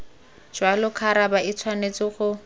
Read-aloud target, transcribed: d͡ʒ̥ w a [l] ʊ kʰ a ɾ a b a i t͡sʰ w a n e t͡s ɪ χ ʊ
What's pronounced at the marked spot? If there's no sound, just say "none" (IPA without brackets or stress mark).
l